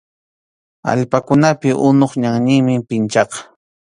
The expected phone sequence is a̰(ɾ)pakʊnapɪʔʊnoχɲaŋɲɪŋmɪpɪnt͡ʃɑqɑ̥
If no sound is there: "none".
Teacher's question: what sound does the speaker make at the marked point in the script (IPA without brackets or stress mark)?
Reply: ʎ